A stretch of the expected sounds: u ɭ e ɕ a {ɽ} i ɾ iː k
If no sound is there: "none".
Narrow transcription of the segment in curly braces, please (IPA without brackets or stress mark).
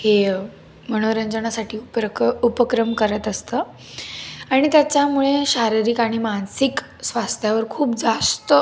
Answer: ɾ